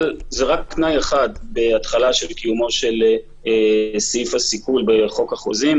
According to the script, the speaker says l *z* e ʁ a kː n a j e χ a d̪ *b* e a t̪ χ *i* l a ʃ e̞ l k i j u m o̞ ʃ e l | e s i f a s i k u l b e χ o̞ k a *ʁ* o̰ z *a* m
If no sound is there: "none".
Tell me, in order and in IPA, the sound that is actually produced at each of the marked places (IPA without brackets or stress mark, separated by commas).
z, b, a, χ, i